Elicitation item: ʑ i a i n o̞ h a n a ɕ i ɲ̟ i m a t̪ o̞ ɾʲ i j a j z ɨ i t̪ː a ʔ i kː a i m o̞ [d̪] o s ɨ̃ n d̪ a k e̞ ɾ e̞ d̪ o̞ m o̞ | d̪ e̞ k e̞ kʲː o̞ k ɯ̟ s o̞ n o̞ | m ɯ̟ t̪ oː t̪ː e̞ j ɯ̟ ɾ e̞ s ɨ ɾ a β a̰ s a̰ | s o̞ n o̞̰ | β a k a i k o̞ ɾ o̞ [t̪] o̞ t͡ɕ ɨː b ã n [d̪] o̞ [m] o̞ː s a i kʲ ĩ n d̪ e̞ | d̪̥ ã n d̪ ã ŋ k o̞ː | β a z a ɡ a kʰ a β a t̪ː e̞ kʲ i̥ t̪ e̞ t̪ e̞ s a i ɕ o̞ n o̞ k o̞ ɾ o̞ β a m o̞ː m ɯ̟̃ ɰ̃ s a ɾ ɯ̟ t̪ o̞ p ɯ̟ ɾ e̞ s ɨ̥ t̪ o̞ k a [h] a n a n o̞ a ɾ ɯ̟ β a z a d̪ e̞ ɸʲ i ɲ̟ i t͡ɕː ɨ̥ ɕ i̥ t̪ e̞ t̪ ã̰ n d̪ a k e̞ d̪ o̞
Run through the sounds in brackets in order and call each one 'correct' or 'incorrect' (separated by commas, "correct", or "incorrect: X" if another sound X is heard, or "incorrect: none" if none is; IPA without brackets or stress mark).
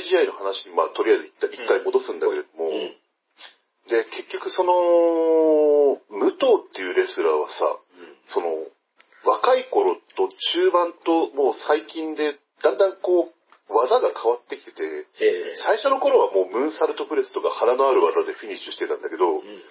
correct, correct, incorrect: t̪, correct, correct